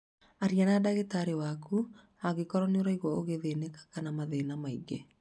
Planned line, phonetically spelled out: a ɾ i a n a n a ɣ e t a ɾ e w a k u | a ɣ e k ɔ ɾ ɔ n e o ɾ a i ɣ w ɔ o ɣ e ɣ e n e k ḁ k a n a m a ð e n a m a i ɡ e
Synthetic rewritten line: a ɾ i a n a d a ɣ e t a ɾ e w a k u | a ɣ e k ɔ ɾ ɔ n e o ɾ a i ɣ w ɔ o ɣ e ð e n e k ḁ k a n a m a ð e n a m a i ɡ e